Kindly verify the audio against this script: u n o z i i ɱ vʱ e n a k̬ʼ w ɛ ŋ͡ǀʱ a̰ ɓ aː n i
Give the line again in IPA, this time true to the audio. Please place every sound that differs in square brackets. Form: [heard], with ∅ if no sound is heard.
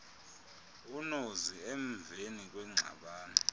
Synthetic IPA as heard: u n o z i [e] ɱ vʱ e n [i] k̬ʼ w ɛ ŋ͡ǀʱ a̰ ɓ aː n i